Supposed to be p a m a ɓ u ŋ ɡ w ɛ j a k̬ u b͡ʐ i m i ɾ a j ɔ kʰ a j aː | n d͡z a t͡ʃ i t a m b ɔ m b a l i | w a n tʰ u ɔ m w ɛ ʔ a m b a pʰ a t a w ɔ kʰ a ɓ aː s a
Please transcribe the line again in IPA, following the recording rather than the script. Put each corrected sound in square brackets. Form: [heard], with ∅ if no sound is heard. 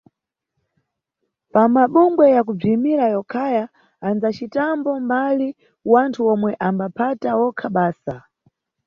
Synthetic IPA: p a m a ɓ u ŋ ɡ w ɛ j a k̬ u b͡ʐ i m i ɾ a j ɔ kʰ a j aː | n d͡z a t͡ʃ i t a m b ɔ m b a l i | w a n tʰ u ɔ m w ɛ ʔ a m b a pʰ a t a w ɔ kʰ a ɓ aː s a